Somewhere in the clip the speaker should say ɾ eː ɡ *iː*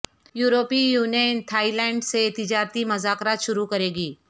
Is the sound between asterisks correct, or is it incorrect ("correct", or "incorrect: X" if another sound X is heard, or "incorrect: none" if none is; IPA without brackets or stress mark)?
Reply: correct